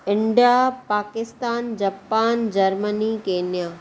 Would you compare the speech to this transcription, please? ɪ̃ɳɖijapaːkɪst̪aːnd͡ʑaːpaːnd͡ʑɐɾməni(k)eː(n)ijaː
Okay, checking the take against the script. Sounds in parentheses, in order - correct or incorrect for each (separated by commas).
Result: correct, correct